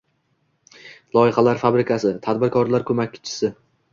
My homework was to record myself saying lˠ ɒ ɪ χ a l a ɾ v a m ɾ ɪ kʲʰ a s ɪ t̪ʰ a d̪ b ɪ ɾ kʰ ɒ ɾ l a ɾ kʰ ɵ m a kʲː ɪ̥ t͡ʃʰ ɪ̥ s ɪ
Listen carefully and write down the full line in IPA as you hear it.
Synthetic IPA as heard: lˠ ɒ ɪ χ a l a ɾ f a b ɾ ɪ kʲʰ a s ɪ t̪ʰ a d̪ b ɪ ɾ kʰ ɒ ɾ l a ɾ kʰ ɵ m a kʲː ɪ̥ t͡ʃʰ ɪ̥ s ɪ